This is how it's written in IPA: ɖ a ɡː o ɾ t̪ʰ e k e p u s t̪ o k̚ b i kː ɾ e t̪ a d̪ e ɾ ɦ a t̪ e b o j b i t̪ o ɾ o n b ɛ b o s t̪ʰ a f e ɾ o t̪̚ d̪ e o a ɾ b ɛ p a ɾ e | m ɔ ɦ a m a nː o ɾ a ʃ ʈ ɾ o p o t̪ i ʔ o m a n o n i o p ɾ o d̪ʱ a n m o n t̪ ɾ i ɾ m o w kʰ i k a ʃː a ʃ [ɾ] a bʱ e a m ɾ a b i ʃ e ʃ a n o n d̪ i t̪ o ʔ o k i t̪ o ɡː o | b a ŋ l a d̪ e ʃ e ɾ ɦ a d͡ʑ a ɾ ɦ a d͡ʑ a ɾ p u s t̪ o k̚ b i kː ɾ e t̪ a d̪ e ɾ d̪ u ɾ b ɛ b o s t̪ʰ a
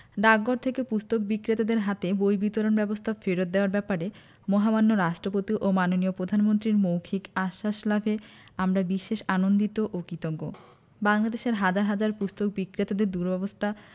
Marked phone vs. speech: incorrect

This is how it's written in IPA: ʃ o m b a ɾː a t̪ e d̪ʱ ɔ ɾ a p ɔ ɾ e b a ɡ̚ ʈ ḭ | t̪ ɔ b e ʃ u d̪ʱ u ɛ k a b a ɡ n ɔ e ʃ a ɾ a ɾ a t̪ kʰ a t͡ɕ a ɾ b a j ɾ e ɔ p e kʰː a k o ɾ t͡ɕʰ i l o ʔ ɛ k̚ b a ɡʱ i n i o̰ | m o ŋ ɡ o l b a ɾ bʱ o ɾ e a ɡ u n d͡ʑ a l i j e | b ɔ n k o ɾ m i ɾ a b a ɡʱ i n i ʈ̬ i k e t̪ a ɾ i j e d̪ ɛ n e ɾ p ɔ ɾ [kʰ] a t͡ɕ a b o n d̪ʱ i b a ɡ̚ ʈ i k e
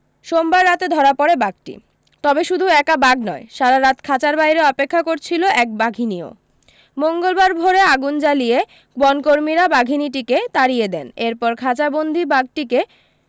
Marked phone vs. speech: correct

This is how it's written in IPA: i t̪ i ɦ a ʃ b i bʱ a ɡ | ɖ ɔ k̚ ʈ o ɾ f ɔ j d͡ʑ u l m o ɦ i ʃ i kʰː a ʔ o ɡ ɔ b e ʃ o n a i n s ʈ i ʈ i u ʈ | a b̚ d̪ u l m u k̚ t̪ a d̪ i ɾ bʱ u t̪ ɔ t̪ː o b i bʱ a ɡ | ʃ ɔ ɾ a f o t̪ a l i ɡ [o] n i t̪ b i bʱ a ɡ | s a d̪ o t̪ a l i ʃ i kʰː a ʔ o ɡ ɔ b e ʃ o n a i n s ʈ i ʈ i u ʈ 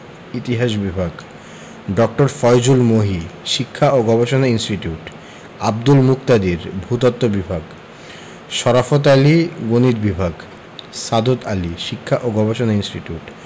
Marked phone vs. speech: correct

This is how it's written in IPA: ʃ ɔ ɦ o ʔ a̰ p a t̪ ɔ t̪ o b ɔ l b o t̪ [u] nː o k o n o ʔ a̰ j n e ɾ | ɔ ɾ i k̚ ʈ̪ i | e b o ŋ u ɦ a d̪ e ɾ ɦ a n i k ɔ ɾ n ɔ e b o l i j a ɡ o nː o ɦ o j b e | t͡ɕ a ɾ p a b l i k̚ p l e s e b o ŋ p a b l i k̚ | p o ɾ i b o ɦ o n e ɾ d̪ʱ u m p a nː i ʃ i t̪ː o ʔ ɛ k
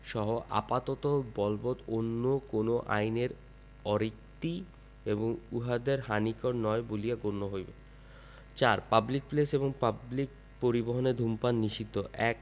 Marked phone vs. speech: incorrect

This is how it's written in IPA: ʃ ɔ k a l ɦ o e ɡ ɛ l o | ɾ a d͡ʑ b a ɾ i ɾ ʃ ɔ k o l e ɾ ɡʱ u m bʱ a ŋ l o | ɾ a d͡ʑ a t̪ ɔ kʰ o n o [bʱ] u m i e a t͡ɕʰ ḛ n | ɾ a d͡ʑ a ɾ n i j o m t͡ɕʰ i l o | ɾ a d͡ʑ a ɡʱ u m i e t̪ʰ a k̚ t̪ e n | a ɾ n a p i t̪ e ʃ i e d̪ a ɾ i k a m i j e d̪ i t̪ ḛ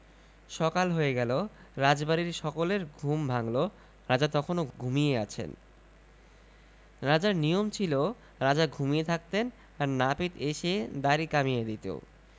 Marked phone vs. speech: incorrect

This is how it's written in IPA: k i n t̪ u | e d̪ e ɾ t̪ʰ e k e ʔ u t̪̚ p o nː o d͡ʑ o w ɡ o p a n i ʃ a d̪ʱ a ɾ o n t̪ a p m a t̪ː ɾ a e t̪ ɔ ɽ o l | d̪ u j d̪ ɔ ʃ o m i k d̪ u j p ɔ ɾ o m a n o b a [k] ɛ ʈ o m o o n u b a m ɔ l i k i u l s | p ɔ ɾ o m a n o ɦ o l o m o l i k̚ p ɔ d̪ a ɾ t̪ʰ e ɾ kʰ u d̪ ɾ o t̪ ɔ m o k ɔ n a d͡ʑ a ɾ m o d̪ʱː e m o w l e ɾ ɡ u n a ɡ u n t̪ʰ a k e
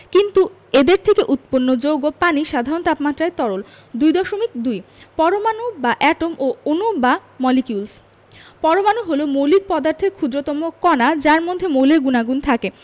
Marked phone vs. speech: incorrect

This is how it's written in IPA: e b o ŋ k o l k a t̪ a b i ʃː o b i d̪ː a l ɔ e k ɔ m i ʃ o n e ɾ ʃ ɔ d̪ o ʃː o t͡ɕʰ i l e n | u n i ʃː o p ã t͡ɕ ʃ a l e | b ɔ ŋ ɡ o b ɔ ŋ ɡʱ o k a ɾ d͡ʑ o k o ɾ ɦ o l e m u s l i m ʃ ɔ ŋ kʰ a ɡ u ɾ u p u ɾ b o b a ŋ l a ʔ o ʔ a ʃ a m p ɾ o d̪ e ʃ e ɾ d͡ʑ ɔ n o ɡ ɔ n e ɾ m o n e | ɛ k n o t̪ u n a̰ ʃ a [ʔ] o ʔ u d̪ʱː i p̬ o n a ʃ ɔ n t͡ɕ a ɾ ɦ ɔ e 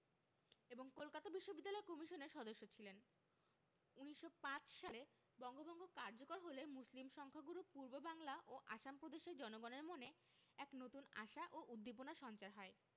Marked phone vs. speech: correct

